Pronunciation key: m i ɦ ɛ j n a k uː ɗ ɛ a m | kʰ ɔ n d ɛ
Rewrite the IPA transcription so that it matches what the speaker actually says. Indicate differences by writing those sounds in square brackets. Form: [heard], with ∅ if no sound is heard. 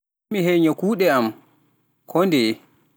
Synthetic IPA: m i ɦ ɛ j [ɲ] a k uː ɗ ɛ a m | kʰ ɔ n d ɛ